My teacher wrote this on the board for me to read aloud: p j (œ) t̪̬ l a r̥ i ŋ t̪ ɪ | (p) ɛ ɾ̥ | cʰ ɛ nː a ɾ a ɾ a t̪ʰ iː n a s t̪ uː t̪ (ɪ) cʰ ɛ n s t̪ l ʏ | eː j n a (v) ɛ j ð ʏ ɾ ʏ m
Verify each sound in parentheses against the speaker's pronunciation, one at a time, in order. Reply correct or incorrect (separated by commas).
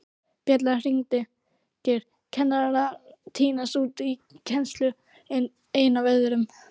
incorrect, incorrect, incorrect, correct